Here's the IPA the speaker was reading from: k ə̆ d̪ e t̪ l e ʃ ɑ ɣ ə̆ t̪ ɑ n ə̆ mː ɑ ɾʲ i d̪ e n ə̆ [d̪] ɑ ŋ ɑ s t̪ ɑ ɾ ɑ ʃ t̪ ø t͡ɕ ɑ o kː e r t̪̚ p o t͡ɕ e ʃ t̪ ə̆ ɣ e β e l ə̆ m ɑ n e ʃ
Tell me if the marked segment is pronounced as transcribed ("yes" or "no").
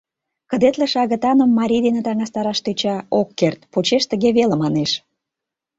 no